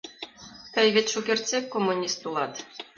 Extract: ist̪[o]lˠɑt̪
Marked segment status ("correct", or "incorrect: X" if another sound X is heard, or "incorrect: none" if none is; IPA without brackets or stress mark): incorrect: u